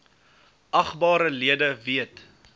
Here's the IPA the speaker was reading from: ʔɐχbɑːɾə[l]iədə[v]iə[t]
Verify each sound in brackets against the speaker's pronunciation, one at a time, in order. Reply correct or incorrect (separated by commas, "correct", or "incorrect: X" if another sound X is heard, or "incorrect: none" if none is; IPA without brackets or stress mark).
correct, correct, correct